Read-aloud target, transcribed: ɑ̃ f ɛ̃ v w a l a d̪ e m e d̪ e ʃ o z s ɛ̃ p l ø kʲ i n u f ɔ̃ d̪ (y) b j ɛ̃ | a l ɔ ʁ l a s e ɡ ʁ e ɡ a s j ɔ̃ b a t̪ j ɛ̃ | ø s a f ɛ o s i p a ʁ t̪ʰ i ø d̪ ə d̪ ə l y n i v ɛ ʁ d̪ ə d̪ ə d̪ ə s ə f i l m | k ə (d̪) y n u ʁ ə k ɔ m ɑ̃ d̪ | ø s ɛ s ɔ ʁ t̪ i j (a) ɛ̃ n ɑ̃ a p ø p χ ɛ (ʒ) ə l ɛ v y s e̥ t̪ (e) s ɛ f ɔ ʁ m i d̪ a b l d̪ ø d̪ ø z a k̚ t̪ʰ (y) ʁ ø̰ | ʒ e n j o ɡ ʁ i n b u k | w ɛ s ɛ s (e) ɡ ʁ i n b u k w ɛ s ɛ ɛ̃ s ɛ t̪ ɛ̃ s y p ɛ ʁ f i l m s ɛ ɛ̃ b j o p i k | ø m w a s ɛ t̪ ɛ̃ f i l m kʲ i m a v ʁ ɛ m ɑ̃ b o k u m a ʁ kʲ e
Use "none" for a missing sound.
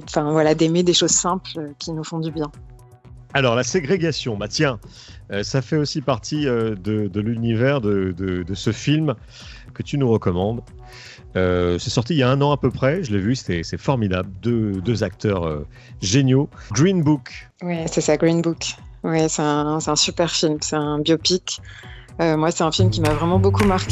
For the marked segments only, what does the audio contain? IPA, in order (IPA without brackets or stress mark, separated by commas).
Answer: y, t̪, a, ʒ, ɛ, œ, a